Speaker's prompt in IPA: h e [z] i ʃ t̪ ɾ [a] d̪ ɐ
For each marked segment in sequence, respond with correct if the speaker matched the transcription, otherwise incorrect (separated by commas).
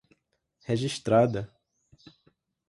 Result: incorrect, correct